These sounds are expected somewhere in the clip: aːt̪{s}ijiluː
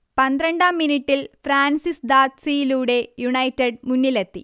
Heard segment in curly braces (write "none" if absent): s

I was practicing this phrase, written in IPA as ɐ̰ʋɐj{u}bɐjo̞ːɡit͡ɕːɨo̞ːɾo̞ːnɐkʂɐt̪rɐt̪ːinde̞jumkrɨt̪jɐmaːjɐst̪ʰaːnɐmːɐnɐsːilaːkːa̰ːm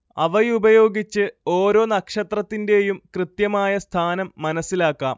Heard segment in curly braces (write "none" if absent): u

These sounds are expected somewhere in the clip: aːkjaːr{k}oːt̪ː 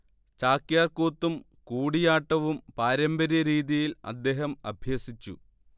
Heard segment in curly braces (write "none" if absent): k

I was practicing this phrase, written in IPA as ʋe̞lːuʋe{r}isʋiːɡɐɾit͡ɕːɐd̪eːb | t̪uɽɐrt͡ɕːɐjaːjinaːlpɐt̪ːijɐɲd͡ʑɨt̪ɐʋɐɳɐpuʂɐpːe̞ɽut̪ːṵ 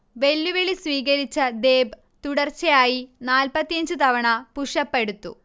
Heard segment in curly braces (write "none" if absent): ɭ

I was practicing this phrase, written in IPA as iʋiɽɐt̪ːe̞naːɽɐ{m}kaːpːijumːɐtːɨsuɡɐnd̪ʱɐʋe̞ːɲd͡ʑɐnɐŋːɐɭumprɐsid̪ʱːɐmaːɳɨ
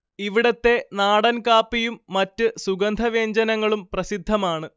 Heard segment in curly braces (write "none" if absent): n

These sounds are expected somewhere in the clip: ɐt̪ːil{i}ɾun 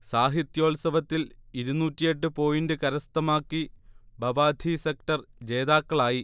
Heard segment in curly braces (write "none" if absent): i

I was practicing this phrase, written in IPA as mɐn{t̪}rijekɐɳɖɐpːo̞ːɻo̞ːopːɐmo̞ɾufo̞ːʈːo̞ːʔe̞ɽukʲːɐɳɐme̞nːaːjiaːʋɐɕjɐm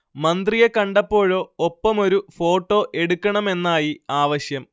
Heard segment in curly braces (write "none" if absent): d̪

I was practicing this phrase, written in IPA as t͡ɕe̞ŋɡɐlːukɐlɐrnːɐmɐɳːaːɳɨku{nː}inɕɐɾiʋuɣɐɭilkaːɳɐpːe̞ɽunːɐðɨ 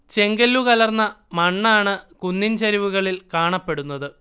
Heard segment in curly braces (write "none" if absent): nː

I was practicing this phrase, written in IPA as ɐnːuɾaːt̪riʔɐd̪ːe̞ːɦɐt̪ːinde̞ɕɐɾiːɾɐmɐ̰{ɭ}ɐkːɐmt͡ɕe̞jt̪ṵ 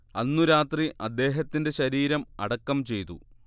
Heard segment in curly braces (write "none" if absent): ɽ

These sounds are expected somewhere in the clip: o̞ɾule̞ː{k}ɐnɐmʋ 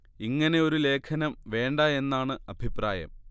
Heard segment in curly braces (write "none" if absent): kʰ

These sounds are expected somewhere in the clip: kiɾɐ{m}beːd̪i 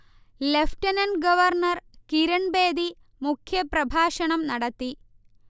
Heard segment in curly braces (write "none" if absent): ɳ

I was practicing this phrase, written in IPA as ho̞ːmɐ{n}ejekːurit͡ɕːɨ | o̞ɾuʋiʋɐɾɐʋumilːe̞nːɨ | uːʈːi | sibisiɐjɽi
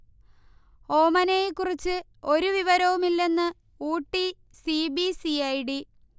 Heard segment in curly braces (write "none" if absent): n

